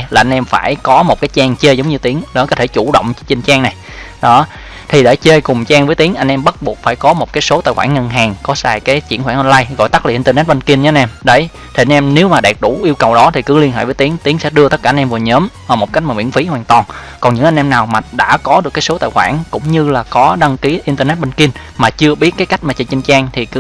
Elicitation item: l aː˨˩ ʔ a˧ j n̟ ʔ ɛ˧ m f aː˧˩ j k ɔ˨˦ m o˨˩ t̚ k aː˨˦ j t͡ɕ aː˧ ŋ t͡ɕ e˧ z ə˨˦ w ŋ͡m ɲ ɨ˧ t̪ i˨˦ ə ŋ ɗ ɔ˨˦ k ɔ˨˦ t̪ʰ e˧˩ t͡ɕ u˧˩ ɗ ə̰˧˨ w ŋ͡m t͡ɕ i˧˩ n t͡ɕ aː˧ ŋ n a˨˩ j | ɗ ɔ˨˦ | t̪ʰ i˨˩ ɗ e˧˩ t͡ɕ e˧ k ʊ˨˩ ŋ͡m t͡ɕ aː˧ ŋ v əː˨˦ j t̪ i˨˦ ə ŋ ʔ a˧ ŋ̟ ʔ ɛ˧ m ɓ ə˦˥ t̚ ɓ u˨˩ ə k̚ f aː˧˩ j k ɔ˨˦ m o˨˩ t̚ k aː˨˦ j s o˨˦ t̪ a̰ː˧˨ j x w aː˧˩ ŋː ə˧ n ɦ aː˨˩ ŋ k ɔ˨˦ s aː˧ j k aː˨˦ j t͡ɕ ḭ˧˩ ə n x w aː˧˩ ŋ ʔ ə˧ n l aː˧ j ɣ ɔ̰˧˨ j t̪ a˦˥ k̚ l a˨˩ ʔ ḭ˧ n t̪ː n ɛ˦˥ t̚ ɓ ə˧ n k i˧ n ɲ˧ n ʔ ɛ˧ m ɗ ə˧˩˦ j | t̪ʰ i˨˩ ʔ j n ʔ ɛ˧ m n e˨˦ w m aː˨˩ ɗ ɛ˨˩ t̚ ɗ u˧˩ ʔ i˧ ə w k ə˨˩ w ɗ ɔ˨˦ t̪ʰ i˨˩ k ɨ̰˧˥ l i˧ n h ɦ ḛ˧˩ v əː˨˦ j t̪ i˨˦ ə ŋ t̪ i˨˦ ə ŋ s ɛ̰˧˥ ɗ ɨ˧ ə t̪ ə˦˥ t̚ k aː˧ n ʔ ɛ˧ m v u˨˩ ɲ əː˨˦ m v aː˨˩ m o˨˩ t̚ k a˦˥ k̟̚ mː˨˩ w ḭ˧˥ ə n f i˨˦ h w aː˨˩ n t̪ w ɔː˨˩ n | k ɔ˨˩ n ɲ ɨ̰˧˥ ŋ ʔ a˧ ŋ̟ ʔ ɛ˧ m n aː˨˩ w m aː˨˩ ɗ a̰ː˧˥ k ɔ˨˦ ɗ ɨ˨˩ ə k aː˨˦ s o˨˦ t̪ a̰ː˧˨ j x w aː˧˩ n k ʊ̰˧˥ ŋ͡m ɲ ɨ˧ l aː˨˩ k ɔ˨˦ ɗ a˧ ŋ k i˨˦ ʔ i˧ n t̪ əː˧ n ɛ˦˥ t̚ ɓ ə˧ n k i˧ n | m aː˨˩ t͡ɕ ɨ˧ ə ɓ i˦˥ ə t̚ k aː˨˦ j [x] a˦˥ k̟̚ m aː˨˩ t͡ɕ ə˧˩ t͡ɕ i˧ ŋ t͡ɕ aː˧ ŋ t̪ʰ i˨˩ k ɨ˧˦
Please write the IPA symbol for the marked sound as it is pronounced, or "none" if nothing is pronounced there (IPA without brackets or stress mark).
k